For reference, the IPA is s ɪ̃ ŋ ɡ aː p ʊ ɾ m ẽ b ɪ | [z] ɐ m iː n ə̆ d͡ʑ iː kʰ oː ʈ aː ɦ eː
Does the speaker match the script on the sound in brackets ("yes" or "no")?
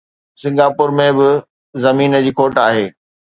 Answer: yes